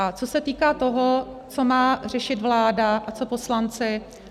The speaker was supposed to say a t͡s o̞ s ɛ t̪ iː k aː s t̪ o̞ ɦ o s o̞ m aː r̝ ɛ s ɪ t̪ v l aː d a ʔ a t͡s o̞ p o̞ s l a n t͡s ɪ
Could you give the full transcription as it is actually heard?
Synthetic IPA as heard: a t͡s o̞ s ɛ t̪ iː k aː t̪ o̞ ɦ o t͡s o̞ m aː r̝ ɛ ʃ ɪ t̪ v l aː d a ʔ a t͡s o̞ p o̞ s l a n t͡s ɪ